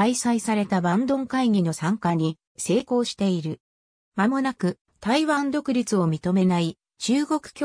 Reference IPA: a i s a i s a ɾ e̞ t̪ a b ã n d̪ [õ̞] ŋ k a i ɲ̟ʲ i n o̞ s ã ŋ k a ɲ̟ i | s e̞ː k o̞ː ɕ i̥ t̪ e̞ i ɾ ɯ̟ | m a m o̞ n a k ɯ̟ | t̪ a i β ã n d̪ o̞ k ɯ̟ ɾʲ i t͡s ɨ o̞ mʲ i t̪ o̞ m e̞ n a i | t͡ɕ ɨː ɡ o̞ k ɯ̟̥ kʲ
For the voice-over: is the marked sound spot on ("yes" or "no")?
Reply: yes